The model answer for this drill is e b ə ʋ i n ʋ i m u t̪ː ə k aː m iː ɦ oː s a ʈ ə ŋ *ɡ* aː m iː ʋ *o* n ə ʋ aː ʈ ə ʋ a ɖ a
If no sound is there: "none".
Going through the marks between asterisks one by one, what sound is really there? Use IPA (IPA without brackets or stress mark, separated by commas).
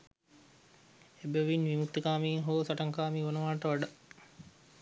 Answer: k, o